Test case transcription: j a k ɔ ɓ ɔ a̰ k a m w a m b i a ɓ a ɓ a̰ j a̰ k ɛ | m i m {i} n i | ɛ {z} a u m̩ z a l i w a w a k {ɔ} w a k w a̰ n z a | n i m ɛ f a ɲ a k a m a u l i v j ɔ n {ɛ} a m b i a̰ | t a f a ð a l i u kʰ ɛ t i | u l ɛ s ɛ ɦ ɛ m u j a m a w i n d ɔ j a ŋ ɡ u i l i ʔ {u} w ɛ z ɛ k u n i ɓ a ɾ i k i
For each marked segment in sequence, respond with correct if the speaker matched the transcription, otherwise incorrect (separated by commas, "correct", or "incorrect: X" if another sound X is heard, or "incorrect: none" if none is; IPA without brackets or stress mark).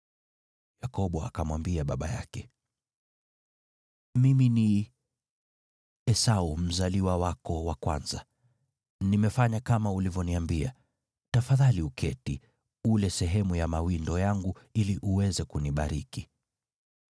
correct, incorrect: s, correct, incorrect: i, correct